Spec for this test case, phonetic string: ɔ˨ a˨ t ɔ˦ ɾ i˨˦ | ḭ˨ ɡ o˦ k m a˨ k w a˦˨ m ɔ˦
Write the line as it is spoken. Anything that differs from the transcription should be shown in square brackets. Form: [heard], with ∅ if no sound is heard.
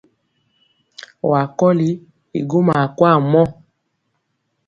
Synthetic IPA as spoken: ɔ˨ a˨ [k] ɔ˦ [l] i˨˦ | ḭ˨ ɡ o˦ [∅] m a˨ k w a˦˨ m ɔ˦

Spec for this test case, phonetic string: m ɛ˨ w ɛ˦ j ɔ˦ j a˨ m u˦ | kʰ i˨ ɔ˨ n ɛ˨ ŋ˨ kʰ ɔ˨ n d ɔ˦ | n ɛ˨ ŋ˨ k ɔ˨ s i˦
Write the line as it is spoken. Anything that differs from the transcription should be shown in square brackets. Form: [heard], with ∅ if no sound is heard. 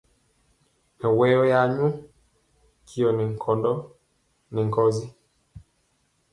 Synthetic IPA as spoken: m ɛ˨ w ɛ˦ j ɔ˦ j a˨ [ɲ] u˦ | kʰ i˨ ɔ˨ n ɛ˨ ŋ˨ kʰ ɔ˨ n d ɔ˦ | n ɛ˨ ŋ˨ k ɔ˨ [z] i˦

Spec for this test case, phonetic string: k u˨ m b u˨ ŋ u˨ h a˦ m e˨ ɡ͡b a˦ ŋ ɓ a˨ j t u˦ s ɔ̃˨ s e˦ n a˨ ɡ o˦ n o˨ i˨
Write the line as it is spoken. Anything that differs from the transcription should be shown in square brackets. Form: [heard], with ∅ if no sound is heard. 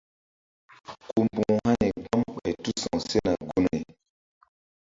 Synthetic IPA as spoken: k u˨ m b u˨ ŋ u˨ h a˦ [n] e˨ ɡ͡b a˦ [m] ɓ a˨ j t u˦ s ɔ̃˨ s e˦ n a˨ ɡ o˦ n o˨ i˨

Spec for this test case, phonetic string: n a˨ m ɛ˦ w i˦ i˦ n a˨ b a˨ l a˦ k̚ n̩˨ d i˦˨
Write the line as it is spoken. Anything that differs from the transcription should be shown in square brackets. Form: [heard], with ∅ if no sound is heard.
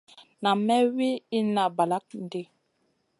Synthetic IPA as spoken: n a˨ m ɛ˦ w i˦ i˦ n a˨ b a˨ l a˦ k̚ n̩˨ d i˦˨

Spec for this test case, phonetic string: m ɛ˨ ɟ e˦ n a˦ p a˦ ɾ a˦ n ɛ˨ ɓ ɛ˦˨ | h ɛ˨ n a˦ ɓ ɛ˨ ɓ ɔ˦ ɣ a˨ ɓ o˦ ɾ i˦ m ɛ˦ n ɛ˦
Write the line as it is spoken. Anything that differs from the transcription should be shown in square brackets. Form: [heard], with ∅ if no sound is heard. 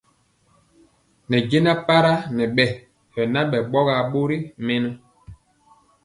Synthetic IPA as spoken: [n] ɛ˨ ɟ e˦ n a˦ p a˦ ɾ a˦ n ɛ˨ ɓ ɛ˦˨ | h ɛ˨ n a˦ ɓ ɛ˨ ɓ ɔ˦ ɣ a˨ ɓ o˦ ɾ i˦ m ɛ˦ n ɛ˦

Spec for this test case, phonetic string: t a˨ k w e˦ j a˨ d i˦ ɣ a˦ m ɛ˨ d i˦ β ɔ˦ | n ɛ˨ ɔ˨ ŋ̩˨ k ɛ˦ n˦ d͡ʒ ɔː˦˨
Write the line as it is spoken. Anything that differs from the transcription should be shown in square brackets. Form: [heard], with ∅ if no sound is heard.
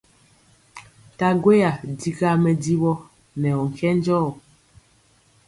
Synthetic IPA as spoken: t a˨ [ɡ] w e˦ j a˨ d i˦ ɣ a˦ m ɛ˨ d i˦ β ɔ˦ | n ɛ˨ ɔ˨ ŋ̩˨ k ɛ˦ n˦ d͡ʒ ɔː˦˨

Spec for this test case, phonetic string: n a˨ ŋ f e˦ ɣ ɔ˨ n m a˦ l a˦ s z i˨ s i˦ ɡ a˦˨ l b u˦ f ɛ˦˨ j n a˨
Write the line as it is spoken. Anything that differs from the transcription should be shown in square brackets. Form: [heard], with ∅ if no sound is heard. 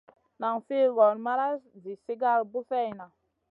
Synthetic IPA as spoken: n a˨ ŋ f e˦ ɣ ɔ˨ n m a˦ [ɾ] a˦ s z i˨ s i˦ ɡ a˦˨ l b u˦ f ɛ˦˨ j n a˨

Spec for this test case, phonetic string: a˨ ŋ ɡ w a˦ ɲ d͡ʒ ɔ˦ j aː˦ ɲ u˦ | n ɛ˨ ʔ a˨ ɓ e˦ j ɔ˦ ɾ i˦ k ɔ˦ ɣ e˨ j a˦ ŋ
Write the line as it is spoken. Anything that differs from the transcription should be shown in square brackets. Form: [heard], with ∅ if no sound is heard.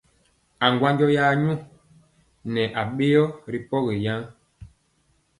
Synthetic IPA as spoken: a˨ ŋ ɡ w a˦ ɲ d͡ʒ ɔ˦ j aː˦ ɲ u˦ | n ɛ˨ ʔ a˨ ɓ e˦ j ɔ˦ ɾ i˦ [p] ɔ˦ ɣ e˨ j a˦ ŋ

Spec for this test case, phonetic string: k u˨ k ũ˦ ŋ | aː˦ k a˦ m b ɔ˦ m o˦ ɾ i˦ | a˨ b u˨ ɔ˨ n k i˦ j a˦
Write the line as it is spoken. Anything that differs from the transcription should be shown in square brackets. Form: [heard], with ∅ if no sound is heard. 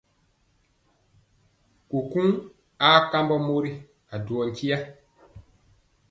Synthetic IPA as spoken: k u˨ k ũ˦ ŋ | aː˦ k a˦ m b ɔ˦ m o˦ ɾ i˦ | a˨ [d] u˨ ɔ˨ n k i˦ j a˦

